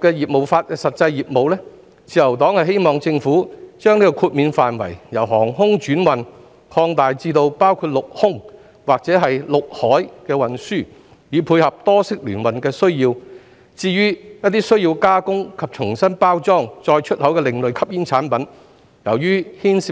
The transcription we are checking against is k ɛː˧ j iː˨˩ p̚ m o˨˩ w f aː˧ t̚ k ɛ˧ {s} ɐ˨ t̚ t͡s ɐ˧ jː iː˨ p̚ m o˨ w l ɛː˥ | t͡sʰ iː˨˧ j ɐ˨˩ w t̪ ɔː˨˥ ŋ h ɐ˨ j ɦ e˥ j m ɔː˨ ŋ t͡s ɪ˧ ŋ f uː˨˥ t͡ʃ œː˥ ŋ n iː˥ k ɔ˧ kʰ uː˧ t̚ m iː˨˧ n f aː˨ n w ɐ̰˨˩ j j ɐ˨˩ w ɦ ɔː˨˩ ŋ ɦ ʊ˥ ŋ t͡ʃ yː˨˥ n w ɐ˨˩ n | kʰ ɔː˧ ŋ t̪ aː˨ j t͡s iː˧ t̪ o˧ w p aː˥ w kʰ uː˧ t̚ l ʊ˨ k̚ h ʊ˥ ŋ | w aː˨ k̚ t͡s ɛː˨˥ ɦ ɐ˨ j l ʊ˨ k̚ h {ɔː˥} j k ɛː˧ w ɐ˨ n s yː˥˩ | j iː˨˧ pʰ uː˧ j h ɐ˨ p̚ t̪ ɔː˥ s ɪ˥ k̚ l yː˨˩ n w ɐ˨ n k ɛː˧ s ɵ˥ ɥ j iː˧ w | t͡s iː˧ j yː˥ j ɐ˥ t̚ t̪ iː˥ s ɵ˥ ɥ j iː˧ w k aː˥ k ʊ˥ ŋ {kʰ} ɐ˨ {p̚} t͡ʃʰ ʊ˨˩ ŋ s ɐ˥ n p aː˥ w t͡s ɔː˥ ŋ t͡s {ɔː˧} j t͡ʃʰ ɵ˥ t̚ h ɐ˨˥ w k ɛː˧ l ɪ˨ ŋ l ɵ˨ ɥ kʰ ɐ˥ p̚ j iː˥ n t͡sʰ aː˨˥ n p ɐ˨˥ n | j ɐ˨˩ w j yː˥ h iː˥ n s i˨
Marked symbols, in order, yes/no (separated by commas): yes, no, yes, yes, yes